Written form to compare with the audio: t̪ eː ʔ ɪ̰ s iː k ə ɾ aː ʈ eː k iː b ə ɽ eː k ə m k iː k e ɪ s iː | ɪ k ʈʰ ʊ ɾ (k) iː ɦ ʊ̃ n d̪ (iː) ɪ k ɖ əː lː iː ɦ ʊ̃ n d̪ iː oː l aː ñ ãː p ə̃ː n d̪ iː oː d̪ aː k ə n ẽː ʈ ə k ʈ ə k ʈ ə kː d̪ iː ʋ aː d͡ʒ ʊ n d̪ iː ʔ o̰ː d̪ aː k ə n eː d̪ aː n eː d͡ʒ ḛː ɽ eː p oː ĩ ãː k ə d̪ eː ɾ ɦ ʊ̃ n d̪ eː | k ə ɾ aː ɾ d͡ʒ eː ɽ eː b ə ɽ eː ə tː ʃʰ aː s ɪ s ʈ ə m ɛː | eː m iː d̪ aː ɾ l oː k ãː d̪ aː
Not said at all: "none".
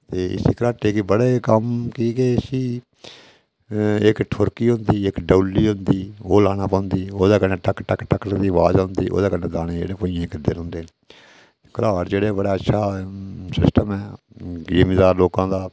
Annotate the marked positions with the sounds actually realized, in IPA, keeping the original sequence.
k, iː

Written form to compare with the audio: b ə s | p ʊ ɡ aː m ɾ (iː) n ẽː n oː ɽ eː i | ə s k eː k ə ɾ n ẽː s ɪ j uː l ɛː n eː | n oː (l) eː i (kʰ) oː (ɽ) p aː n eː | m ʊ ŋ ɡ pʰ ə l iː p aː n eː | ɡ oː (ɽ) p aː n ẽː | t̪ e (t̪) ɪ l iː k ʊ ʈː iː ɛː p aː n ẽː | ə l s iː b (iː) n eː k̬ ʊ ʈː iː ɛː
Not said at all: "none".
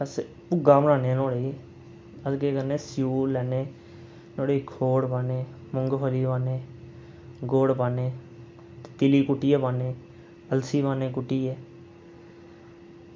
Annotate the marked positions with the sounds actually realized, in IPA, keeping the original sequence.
aː, ɽ, kʰ, ɽ, ɽ, t̪, aː

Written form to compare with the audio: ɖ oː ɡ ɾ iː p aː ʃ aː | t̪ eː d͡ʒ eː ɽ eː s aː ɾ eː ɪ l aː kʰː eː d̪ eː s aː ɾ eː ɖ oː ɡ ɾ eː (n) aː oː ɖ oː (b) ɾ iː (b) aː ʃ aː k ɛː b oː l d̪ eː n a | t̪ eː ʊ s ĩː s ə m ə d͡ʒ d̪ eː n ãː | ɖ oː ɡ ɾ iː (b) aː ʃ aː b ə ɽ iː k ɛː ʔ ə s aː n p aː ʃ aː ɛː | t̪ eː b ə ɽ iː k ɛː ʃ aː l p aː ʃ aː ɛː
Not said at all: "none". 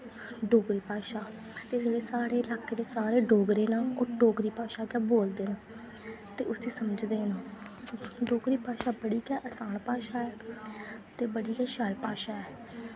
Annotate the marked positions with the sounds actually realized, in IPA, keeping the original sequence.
n, ɡ, p, p

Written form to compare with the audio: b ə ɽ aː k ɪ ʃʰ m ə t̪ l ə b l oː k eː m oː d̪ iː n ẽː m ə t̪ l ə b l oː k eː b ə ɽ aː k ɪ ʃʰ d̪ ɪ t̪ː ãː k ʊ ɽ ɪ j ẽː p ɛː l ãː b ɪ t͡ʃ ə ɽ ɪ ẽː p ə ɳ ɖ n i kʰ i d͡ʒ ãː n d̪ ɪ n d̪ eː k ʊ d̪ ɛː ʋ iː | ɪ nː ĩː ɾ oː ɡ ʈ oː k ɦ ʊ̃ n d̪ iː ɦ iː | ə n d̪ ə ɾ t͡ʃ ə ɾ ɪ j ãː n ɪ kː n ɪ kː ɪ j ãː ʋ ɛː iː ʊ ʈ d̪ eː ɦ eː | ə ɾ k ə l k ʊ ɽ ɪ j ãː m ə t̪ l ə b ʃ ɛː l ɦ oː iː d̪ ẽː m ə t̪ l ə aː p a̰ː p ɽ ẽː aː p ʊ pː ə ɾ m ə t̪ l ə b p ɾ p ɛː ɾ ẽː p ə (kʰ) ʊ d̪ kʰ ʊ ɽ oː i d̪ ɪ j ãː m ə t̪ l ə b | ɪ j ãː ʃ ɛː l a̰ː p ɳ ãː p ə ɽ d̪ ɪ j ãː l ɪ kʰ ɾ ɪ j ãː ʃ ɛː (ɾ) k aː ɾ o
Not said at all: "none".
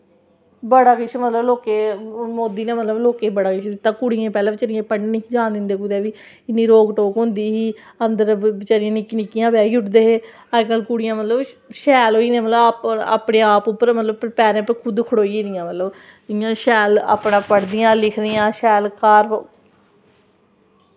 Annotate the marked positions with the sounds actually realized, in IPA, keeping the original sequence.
kʰ, l

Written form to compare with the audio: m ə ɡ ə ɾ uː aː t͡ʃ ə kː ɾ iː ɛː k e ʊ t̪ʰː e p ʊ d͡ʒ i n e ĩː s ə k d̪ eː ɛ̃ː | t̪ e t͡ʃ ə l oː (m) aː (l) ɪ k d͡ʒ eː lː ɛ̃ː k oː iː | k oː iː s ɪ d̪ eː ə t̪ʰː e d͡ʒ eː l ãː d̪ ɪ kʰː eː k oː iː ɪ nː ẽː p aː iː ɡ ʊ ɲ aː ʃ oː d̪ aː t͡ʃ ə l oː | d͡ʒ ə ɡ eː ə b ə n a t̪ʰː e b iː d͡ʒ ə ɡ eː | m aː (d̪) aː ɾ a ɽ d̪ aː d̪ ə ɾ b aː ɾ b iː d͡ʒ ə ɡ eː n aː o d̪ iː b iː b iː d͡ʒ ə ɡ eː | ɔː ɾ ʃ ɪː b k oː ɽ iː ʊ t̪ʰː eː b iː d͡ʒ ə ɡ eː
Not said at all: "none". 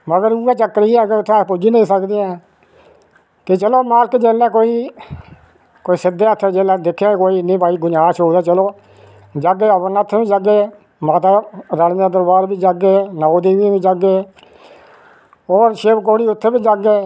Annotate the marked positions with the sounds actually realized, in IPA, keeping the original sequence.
m, l, t̪

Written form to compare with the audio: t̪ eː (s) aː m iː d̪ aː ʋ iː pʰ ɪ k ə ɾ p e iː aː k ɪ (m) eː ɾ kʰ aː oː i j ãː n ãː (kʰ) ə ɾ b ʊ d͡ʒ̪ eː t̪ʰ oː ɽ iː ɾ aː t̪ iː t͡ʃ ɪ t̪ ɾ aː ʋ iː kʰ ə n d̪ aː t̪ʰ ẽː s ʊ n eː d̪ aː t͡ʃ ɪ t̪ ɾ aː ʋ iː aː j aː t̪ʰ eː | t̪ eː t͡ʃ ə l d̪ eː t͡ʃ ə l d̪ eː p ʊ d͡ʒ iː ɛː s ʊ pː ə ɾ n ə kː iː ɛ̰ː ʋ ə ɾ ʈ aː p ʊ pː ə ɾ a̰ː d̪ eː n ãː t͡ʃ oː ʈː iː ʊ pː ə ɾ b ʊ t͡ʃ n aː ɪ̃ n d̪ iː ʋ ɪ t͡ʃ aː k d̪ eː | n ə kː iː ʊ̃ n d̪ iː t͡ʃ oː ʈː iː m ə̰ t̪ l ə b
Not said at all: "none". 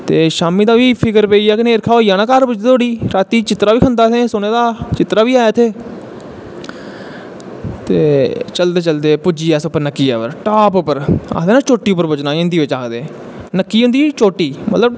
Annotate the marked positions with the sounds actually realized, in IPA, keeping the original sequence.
ʃ, n, k

